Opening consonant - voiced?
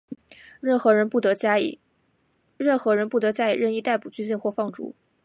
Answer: yes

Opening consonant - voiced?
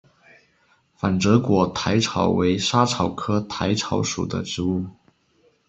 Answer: no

